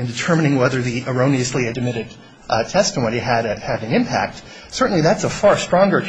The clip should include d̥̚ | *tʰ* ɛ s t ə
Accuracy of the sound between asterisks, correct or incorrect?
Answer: correct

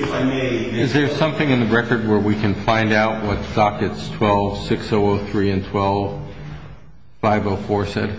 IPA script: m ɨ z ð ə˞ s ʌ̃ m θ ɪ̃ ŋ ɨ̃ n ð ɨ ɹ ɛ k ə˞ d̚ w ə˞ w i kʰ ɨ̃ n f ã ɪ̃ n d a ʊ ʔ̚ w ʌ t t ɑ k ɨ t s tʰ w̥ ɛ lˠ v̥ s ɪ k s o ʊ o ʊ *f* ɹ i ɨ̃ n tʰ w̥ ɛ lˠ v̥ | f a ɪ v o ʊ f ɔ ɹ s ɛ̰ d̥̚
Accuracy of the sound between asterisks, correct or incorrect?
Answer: incorrect: θ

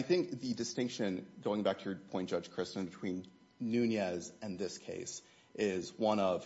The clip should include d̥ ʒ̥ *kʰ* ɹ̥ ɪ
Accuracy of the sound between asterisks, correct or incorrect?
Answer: correct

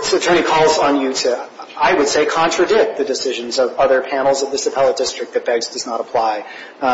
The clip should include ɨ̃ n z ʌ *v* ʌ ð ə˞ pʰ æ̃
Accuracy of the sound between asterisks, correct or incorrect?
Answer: correct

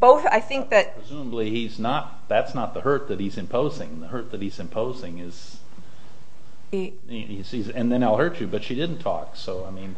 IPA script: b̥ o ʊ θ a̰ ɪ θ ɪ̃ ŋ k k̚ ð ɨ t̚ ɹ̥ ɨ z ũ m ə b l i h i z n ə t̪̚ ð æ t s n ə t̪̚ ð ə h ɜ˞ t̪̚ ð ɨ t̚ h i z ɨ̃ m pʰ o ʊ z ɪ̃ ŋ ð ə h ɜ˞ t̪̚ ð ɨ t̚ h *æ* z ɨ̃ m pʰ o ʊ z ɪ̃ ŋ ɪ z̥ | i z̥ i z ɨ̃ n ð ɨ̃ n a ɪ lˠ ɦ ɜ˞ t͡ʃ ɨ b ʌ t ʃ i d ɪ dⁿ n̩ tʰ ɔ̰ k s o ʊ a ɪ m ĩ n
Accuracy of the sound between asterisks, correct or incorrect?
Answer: incorrect: i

